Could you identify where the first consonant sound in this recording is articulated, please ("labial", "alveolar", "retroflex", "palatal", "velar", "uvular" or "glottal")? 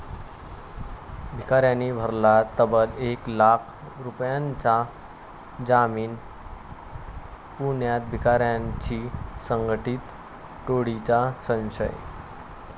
labial